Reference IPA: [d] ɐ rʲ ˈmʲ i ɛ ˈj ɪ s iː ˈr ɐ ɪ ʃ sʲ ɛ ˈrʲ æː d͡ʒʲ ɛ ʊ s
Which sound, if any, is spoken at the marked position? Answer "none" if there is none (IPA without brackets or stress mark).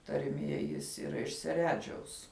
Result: t